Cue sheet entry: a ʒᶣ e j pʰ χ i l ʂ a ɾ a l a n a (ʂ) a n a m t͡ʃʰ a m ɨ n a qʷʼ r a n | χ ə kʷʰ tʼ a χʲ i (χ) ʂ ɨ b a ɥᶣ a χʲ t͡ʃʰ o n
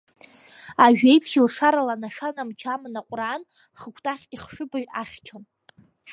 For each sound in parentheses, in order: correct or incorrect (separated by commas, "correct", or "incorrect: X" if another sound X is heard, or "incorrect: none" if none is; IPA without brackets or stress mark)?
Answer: correct, correct